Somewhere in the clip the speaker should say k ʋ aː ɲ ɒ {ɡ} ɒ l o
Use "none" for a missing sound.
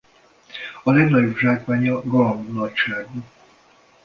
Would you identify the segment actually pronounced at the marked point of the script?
ɡ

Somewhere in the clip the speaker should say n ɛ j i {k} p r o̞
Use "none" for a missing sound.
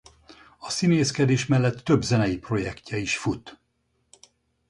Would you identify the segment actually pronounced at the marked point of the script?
none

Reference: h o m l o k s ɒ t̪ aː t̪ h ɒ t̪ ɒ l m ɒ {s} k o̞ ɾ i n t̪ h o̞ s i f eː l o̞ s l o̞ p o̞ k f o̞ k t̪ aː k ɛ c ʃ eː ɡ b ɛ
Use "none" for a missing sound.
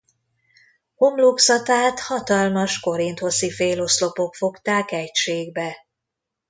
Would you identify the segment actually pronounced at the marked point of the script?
ʃ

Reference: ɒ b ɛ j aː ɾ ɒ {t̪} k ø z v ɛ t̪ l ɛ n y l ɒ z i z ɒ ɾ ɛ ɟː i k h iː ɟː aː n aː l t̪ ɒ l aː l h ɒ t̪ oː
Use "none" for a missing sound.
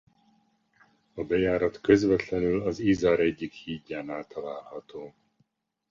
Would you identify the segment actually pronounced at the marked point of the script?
t̪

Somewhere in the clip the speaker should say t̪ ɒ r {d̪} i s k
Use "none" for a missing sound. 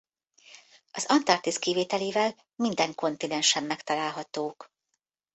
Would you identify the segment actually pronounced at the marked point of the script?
t̪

